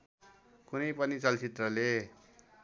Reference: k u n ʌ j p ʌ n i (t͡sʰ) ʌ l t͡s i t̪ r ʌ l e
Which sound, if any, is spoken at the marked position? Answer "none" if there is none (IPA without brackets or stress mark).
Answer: t͡s